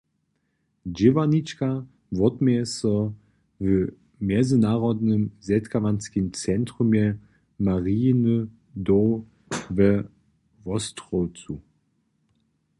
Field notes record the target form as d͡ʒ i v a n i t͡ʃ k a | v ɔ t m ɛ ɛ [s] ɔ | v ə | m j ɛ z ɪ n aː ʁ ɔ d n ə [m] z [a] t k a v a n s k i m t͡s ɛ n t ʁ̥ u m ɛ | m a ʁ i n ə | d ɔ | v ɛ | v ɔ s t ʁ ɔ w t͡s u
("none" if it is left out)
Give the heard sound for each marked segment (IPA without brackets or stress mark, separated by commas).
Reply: s, m, ɛ